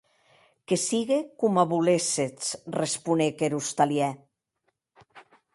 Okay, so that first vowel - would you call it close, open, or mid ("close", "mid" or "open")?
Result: mid